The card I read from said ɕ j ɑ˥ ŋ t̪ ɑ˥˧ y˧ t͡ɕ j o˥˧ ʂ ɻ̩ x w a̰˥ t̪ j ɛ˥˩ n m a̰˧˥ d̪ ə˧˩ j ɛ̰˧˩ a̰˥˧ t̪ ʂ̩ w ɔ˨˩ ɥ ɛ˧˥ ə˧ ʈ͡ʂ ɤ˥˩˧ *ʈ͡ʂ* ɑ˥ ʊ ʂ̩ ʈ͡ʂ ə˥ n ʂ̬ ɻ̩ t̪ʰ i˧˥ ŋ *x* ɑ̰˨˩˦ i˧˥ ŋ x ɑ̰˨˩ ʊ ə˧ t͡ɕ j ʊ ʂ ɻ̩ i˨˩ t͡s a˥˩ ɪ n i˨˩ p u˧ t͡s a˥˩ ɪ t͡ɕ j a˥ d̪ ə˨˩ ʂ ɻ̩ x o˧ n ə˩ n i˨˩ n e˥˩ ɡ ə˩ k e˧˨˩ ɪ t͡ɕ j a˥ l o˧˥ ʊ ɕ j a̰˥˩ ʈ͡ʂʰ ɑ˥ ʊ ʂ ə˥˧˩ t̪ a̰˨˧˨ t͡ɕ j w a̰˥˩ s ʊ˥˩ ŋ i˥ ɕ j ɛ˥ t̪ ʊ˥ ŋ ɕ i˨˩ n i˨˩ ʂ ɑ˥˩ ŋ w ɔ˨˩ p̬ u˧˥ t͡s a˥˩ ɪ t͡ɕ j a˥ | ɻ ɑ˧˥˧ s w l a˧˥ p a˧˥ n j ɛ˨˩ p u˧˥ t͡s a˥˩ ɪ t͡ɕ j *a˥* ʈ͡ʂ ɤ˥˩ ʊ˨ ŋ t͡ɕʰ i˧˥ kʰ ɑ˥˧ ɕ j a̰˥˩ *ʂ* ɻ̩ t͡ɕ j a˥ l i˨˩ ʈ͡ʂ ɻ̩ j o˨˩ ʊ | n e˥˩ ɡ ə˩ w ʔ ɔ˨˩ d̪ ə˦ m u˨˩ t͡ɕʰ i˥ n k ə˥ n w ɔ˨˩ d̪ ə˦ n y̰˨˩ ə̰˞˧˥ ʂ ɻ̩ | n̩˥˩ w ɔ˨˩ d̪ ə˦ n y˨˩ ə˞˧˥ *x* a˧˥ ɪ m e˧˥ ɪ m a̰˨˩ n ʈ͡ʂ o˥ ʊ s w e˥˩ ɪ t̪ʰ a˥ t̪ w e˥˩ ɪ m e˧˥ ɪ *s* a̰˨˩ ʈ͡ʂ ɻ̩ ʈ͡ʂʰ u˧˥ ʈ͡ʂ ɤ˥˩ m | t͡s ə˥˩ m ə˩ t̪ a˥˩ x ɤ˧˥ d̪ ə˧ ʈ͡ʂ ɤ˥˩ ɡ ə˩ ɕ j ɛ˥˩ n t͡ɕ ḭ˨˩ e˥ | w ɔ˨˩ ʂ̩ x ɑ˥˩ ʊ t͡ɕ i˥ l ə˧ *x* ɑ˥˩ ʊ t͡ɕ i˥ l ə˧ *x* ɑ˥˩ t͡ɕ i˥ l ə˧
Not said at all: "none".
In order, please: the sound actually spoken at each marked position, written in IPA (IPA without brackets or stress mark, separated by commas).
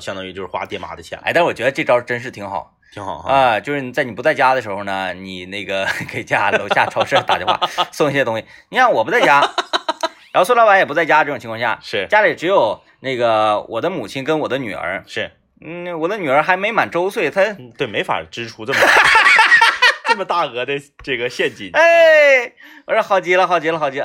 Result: ʈ͡ʂ, x, a˥, ʂ, x, f, x, x